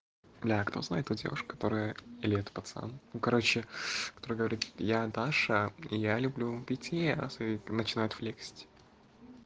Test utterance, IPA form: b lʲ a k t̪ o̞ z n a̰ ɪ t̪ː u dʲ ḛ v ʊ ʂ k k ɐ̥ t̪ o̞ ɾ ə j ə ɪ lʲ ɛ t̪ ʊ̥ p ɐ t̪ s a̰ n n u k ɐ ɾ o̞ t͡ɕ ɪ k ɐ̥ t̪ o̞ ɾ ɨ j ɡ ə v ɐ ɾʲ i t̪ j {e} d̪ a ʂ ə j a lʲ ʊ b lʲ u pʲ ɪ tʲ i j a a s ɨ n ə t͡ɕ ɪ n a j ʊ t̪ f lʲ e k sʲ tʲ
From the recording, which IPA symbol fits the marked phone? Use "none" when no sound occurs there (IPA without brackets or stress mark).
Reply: a